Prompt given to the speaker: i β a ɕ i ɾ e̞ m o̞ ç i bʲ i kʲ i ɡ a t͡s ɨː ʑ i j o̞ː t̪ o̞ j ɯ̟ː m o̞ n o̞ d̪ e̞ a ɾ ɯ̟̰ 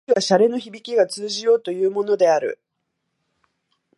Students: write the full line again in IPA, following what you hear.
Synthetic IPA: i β a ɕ a ɾ e̞ n o̞ ç i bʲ i kʲ i ɡ a t͡s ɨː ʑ i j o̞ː t̪ o̞ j ɯ̟ː m o̞ n o̞ d̪ e̞ a ɾ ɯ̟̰